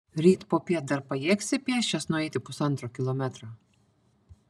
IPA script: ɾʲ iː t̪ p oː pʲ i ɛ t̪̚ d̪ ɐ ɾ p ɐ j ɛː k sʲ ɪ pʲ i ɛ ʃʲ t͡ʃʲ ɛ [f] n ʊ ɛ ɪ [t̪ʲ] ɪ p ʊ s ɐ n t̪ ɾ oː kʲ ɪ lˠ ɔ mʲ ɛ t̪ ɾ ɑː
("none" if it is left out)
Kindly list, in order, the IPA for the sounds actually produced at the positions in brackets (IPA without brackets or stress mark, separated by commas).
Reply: s, t̪ʲ